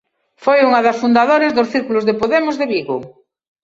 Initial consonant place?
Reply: labial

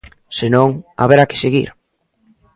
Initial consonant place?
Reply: alveolar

